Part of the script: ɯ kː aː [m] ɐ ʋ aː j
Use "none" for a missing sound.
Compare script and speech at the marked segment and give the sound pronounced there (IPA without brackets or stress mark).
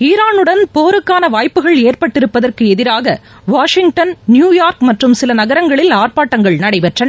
n